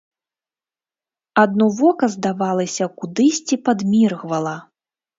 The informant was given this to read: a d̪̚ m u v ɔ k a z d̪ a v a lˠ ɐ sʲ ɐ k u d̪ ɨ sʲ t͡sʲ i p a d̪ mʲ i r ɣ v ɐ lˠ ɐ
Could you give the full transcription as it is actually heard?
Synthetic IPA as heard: a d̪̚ n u v ɔ k ɐ z d̪ a v a lˠ ɐ sʲ ɐ k u d̪ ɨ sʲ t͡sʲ i p a d̪ mʲ i r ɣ v ɐ lˠ ɐ